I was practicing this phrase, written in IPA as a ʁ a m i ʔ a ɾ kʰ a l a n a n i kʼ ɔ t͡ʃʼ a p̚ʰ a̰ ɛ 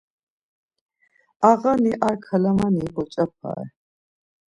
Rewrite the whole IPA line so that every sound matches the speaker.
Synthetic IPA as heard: a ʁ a n i ʔ a ɾ kʰ a l a m a n i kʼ ɔ t͡ʃʼ a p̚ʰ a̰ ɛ